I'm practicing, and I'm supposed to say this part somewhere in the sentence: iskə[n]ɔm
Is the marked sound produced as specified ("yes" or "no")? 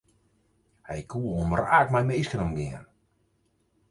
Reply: yes